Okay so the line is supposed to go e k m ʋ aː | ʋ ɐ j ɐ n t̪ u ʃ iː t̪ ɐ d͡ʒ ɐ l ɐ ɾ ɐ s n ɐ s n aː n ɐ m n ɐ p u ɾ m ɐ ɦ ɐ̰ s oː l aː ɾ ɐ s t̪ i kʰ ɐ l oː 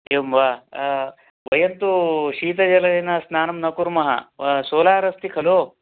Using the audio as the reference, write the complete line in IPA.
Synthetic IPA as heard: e m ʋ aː | ʋ ɐ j ɐ n t̪ u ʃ iː t̪ ɐ d͡ʒ ɐ l ɐ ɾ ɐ n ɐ s n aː n ɐ m n ɐ k u ɾ m ɐ ɦ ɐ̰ s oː l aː ɾ ɐ s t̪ i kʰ ɐ l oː